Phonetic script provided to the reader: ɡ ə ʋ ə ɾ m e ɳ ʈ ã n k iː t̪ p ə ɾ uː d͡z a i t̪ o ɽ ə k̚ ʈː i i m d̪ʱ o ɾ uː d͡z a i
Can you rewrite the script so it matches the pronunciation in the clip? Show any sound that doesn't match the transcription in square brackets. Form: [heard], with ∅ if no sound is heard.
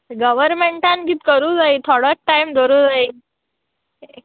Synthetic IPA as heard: ɡ ə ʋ ə ɾ m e ɳ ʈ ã n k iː t̪ [k] ə ɾ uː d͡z a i [t̪ʰ] o ɽ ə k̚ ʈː [a] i m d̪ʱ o ɾ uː d͡z a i